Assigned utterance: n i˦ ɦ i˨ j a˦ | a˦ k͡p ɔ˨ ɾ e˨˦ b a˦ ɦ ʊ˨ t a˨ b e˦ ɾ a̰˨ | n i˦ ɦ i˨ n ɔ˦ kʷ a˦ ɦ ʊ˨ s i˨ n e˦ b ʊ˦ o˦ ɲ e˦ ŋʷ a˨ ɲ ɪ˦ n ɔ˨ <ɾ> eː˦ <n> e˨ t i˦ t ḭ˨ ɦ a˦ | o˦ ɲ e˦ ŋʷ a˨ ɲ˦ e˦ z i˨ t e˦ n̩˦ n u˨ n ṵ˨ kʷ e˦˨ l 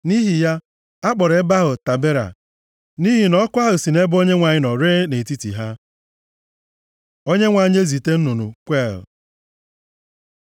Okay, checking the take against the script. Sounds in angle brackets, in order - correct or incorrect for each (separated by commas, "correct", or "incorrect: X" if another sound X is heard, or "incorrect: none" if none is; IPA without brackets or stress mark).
correct, correct